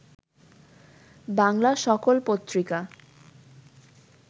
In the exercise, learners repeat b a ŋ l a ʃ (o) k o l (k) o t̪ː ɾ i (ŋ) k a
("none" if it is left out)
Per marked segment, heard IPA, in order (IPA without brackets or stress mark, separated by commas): ɔ, p, none